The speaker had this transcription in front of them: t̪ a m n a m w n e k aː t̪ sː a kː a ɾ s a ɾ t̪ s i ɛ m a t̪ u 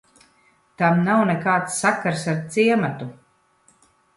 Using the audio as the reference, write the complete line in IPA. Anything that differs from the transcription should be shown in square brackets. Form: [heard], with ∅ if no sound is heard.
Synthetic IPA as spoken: t̪ a m n a [∅] w n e k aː t̪ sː a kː a ɾ s a ɾ t̪ s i ɛ m a t̪ u